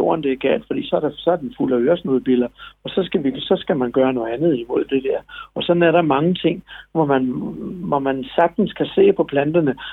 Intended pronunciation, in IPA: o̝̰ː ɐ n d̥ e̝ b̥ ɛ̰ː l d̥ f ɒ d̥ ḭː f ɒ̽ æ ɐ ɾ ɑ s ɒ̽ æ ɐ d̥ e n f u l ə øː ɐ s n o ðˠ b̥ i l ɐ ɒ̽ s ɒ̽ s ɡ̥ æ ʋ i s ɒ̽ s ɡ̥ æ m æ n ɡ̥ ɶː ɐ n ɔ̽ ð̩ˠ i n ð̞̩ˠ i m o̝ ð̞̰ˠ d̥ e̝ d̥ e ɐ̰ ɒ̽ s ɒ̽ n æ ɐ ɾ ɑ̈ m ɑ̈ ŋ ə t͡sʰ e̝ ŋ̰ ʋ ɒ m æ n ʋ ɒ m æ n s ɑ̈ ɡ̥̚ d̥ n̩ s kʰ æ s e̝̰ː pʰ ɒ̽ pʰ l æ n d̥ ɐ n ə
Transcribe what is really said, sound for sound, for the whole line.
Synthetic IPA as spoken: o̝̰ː ɐ n d̥ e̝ ɡ̥ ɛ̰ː l d̥ f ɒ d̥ ḭː s ɒ̽ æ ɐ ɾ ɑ s ɒ̽ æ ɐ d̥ e n f u l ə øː ɐ s n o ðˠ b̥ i l ɐ ɒ̽ s ɒ̽ s ɡ̥ æ ʋ i s ɒ̽ s ɡ̥ æ m æ n ɡ̥ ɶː ɐ n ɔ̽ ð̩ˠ æ n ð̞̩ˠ i m o̝ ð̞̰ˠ d̥ e̝ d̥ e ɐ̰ ɒ̽ s ɒ̽ n æ ɐ ɾ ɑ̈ m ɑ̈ ŋ ə t͡sʰ e̝ ŋ̰ ʋ ɒ m æ n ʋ ɒ m æ n s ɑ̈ ɡ̥̚ d̥ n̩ s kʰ æ s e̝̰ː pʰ ɒ̽ pʰ l æ n d̥ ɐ n ə